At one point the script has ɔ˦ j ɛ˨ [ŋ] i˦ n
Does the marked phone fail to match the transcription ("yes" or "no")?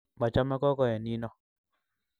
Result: yes